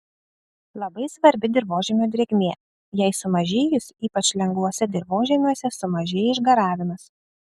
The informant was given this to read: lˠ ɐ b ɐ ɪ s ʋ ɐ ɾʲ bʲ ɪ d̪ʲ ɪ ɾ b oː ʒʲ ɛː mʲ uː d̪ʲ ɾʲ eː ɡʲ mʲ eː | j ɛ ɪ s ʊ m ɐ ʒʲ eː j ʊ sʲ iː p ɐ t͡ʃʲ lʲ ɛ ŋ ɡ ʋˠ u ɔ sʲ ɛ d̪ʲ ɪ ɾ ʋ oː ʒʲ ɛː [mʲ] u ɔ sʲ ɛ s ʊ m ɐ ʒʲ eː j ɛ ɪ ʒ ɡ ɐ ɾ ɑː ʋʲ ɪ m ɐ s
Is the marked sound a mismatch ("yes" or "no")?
no